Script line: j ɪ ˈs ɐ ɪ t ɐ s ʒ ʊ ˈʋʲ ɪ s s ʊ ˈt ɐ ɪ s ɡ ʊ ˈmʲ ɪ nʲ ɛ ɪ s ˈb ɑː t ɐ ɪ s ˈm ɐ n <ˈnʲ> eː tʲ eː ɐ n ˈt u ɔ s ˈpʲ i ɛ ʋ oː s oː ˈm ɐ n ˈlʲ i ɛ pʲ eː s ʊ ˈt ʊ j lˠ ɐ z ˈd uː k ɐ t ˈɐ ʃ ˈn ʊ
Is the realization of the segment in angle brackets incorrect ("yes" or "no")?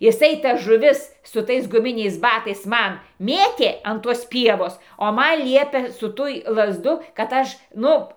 yes